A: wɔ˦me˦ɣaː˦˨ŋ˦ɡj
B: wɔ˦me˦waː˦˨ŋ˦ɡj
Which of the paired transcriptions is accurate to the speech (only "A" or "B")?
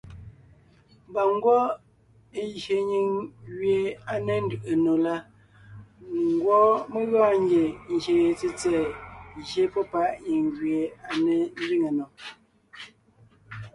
A